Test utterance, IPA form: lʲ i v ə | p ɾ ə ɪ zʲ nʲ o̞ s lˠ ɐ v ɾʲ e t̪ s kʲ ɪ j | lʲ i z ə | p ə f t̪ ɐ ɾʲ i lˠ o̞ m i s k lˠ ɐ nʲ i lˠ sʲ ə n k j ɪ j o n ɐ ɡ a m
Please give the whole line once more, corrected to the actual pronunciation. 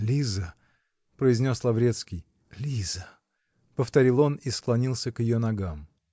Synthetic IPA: lʲ i z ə | p ɾ ə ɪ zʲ nʲ o̞ s lˠ ɐ v ɾʲ e t̪ s kʲ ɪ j | lʲ i z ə | p ə f t̪ ɐ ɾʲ i lˠ o̞ n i s k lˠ ɐ nʲ i lˠ sʲ ə k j ɪ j o n ɐ ɡ a m